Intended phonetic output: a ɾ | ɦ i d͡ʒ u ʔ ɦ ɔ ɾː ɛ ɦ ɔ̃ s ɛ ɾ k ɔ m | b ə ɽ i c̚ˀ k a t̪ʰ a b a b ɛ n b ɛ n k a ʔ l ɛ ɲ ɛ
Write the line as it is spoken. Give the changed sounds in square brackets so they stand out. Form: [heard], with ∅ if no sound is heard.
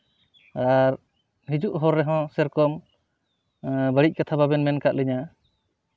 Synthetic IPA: a ɾ | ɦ i d͡ʒ u ʔ ɦ ɔ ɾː ɛ ɦ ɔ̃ s ɛ ɾ k ɔ m | b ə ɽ i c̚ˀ k a t̪ʰ a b a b ɛ n [m] ɛ n k a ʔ l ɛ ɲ [a]